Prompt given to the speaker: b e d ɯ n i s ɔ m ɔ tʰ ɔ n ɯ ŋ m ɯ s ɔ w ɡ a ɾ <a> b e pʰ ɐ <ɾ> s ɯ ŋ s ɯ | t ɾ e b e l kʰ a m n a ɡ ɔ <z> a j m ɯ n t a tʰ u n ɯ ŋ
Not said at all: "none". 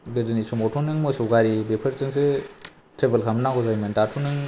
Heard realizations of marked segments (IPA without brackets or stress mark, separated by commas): i, ɾ, z